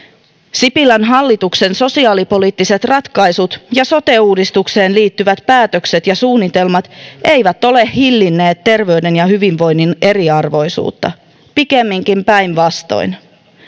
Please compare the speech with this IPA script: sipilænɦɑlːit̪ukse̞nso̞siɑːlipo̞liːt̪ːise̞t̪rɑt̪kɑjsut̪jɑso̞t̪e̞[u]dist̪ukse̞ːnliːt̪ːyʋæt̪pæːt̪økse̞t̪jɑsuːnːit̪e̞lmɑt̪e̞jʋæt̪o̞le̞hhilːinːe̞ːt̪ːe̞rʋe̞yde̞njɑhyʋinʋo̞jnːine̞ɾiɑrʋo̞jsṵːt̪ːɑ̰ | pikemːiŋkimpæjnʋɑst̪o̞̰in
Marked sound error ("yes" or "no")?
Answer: yes